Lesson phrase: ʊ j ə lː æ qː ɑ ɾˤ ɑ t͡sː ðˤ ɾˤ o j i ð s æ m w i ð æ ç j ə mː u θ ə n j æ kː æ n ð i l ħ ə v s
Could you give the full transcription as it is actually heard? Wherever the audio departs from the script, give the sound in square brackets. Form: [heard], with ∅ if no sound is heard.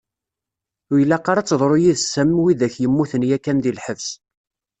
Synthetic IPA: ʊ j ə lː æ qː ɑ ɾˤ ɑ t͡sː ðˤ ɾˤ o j i ð s æ m w i ð æ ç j ə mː u θ ə n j æ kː æ n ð i l ħ ə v s